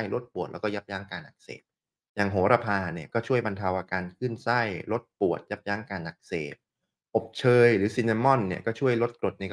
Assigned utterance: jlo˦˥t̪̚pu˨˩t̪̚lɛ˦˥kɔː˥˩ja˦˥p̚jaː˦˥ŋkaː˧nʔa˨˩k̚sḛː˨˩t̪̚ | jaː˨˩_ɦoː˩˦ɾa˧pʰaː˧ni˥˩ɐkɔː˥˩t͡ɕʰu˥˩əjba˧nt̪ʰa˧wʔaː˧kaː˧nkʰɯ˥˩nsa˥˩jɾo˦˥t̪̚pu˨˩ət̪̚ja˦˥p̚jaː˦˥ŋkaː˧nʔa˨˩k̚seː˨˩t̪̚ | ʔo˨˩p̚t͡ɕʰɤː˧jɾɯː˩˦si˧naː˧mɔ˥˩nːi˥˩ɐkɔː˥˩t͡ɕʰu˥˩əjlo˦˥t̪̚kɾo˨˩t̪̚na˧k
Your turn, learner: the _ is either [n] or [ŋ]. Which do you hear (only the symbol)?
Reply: ŋ